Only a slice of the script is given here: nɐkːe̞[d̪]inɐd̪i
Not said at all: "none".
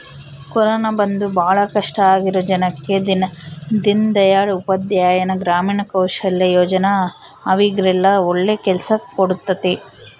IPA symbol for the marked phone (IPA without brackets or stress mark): d̪